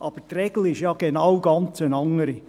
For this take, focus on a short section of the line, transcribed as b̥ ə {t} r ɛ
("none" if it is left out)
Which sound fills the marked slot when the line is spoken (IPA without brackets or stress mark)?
t